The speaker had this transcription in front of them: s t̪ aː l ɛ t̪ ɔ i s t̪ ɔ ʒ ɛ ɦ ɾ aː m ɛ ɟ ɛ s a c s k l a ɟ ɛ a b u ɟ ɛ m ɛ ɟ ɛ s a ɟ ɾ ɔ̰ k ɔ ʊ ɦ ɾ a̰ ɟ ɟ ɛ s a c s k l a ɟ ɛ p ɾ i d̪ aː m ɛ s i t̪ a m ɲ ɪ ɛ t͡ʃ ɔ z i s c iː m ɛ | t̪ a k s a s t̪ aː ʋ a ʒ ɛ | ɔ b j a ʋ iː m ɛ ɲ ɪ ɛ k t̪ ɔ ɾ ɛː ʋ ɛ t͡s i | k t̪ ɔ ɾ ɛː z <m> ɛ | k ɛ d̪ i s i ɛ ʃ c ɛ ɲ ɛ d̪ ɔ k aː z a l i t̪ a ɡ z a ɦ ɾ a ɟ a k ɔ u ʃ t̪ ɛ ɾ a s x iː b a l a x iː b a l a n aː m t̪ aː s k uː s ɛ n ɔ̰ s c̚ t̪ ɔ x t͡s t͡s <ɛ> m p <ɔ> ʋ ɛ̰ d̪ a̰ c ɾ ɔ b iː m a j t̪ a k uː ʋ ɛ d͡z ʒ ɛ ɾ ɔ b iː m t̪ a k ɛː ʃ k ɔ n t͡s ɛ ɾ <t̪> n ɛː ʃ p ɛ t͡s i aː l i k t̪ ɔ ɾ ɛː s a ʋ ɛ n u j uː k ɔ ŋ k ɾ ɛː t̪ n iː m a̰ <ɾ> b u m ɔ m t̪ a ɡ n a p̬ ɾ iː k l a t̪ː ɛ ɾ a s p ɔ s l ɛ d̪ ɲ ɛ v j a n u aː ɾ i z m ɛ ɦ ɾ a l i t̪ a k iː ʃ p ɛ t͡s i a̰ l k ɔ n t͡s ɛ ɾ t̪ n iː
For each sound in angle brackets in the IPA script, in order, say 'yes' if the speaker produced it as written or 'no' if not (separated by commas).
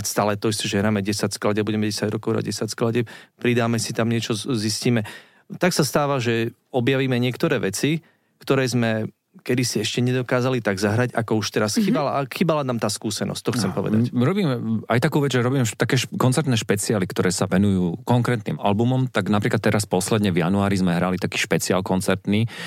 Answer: yes, yes, yes, yes, no